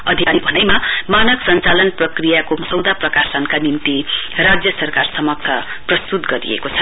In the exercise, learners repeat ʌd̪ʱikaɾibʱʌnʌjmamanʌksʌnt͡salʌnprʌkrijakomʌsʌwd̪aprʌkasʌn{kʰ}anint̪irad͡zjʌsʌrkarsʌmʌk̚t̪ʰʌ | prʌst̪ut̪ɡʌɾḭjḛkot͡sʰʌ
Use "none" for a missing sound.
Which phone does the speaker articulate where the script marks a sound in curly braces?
k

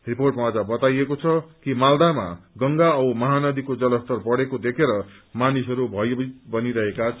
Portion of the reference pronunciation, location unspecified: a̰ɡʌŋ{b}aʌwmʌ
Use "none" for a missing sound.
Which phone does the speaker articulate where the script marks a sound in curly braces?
ɡ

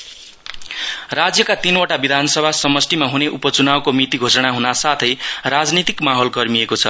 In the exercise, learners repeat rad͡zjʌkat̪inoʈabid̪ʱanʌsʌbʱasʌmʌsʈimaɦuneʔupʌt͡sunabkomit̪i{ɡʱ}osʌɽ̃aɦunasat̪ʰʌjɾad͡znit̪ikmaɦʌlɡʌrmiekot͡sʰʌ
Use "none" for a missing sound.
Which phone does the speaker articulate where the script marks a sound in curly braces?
ɡʱ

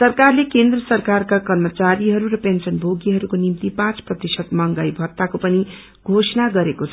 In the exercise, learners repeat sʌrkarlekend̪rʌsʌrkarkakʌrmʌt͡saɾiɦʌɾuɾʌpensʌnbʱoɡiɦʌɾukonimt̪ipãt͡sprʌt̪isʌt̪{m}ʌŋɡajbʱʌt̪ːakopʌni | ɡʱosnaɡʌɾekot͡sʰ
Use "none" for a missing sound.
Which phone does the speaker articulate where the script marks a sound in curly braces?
m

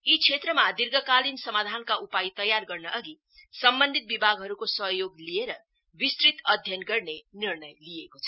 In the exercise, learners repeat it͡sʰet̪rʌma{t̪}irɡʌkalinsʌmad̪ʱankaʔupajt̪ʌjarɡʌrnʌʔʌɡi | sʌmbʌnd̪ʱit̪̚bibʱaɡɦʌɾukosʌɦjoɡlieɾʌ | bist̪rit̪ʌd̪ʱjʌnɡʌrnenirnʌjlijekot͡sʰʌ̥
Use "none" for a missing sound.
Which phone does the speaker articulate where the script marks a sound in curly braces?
d̪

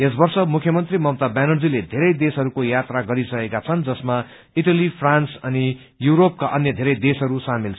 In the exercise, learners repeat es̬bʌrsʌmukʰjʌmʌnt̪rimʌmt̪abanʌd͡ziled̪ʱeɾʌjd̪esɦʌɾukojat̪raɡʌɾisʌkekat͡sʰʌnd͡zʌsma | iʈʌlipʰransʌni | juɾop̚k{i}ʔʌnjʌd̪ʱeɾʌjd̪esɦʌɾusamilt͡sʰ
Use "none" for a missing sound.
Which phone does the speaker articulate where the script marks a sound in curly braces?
a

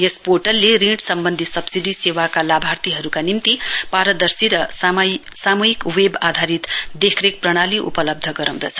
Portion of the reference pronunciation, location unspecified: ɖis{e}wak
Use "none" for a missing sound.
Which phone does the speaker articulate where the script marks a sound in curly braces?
e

